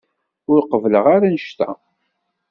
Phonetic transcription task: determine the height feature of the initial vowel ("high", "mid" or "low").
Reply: high